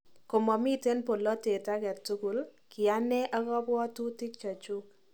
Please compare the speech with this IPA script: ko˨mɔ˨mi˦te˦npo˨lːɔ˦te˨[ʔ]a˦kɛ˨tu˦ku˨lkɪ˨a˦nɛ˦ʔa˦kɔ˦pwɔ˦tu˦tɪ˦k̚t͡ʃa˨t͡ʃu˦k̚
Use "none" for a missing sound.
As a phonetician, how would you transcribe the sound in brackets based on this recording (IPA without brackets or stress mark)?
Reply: t